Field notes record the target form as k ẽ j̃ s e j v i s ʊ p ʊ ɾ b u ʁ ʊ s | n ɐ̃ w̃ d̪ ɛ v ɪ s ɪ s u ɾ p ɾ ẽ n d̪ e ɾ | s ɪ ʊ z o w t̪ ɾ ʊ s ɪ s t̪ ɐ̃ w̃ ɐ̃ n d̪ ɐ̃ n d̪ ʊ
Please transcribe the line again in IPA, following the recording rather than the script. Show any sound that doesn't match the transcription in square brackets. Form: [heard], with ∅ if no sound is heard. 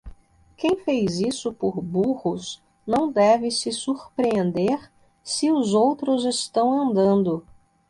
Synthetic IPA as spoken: k ẽ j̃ [f] e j [z] i s ʊ p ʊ ɾ b u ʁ ʊ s | n ɐ̃ w̃ d̪ ɛ v ɪ s ɪ s u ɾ p ɾ ẽ n d̪ e ɾ | s ɪ ʊ z o w t̪ ɾ ʊ [z] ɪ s t̪ ɐ̃ w̃ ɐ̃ n d̪ ɐ̃ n d̪ ʊ